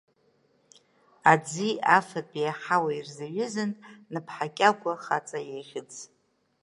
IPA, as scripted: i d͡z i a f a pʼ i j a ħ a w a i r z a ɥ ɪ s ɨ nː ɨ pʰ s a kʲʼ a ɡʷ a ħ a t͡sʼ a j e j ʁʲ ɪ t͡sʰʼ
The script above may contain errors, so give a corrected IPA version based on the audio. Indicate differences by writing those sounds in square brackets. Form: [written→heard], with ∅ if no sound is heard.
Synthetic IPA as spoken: [i→a] d͡z i a f a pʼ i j a ħ a w a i r z a ɥ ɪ [s→z] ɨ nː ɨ pʰ [s→ħ] a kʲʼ a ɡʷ a [ħ→χ] a t͡sʼ a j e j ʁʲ ɪ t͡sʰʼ